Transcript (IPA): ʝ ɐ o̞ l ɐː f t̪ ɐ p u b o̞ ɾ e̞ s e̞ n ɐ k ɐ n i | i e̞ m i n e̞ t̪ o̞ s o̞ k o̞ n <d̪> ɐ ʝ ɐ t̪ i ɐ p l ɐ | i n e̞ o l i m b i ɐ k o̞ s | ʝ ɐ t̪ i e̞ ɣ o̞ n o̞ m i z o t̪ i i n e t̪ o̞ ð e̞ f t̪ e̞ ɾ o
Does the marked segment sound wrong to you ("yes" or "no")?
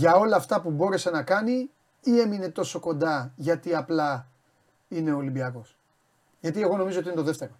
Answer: no